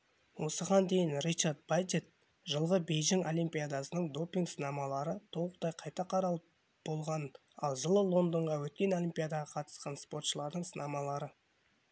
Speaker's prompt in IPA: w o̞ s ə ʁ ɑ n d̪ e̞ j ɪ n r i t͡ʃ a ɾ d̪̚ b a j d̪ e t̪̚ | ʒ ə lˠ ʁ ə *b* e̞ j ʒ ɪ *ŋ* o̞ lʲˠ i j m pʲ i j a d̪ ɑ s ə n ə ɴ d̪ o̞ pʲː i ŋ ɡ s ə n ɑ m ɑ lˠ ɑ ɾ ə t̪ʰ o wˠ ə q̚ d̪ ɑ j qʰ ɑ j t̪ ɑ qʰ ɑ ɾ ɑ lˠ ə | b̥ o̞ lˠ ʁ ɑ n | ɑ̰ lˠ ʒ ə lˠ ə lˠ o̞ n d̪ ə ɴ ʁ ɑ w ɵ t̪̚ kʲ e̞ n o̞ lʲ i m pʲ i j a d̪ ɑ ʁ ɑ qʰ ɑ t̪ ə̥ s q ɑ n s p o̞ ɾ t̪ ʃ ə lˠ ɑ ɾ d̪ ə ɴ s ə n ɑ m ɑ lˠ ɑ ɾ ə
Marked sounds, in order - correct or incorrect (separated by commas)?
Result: correct, correct